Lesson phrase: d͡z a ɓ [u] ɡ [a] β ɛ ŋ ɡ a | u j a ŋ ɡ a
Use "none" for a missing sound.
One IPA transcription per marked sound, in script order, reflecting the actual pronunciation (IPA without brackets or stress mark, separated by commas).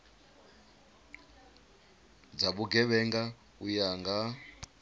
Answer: u, ɛ